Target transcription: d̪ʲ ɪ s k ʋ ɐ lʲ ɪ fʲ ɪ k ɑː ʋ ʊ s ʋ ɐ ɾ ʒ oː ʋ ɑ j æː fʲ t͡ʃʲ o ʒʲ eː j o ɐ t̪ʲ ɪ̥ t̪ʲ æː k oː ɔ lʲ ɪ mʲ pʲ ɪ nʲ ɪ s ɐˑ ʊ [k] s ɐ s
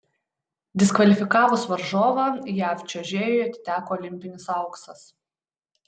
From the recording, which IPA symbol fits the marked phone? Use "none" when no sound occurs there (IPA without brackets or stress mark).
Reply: k